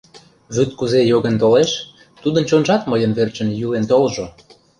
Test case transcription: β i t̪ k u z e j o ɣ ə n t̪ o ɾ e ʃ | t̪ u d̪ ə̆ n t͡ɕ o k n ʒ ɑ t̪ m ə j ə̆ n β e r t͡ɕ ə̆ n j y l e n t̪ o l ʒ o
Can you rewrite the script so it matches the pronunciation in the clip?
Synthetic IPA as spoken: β y t̪ k u z e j o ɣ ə n t̪ o l e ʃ | t̪ u d̪ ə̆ n t͡ɕ o n ʒ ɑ t̪ m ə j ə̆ n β e r t͡ɕ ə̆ n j y l e n t̪ o l ʒ o